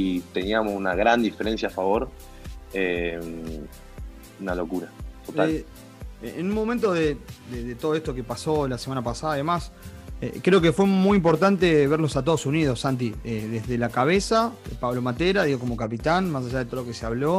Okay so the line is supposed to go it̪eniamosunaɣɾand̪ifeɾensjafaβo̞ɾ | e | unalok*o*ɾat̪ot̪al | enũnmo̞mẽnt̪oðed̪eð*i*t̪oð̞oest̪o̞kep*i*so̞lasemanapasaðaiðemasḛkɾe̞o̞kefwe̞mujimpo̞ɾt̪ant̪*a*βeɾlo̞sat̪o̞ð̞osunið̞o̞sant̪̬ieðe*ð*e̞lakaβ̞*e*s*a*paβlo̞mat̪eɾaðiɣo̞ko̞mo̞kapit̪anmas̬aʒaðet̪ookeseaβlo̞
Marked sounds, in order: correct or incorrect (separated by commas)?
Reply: incorrect, incorrect, incorrect, incorrect, correct, correct, correct